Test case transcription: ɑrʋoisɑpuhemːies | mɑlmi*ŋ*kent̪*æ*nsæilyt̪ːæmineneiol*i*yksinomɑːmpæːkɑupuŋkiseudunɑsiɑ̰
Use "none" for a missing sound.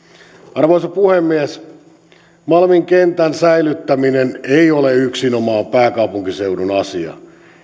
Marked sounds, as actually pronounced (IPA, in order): ŋ, æ, e

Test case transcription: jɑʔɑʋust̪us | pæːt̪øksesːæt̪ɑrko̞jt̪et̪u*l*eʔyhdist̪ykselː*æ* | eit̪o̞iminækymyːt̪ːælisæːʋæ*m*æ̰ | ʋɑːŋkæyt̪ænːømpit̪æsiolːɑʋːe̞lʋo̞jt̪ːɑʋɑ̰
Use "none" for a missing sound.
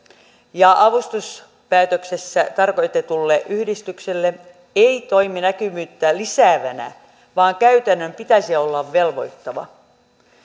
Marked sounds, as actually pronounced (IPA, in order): lː, e, n

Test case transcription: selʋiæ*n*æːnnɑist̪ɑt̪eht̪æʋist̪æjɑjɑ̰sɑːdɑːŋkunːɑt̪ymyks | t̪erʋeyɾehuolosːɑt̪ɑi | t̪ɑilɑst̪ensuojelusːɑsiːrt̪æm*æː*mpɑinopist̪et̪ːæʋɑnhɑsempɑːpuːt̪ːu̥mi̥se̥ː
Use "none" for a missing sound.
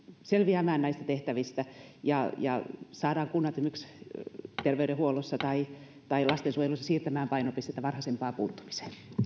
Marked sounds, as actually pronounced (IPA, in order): m, æː

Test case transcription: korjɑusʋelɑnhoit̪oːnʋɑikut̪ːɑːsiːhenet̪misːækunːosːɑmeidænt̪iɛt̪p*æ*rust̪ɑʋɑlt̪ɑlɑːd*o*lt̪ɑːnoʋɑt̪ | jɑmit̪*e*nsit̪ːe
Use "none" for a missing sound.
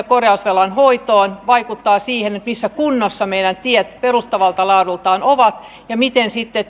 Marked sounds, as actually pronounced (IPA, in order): e, u, e

